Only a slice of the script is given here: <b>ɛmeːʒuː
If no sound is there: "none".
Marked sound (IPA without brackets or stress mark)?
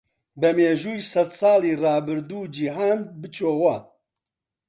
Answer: b